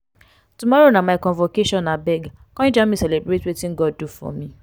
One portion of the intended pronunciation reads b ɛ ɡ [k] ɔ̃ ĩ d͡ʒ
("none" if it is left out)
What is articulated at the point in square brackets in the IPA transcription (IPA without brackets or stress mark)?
k